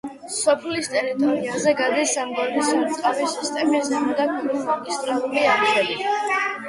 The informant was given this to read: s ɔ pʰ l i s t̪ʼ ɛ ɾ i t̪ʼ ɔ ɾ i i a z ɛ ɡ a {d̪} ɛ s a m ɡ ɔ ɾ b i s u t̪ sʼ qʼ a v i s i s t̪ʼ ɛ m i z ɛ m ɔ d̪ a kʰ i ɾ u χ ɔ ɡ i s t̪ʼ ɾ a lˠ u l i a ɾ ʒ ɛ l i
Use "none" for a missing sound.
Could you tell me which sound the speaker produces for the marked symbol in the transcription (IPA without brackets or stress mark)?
d̪